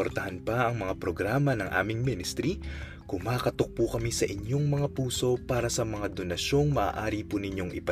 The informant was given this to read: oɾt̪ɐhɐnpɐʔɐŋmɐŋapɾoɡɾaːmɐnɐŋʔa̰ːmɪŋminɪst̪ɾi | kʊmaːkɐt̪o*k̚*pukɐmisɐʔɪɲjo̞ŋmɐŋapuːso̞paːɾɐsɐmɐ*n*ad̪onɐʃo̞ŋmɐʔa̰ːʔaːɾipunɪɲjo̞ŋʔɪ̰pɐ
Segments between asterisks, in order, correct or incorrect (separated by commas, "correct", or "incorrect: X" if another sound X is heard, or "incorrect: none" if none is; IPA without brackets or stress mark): correct, incorrect: ŋ